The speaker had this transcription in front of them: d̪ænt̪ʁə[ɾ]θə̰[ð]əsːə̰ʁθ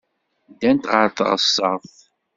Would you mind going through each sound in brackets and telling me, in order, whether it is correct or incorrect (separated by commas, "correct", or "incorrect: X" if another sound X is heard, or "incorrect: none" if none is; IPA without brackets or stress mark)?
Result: correct, incorrect: ʁ